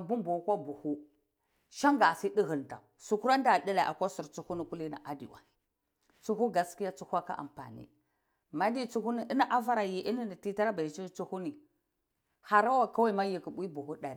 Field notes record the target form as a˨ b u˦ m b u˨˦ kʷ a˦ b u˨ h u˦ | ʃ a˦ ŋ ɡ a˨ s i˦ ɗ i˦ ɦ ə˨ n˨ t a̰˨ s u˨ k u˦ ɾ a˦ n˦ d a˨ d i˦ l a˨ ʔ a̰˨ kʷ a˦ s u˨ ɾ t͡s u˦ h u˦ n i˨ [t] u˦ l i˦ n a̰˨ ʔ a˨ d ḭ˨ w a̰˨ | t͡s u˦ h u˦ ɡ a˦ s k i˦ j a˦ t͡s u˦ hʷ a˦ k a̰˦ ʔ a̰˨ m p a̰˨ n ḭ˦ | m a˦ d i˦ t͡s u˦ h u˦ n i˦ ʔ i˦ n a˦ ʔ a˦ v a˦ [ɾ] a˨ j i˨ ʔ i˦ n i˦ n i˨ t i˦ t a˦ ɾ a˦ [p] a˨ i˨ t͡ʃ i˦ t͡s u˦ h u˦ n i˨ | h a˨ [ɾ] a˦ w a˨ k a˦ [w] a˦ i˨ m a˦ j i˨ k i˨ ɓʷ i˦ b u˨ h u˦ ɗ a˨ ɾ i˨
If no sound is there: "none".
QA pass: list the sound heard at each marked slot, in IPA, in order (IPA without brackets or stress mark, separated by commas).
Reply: k, ɾ, b, ɾ, w